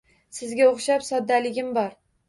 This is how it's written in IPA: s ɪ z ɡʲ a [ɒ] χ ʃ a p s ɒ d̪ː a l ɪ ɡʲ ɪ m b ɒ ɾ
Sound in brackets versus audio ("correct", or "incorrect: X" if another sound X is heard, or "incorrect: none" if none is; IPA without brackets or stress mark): incorrect: o